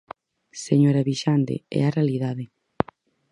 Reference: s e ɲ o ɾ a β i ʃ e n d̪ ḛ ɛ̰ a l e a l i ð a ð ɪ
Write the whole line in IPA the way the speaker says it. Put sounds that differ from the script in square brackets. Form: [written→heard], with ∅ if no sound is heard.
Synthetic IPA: s e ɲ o ɾ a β i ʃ [e→a] n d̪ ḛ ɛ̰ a [l→r] e a l i ð a ð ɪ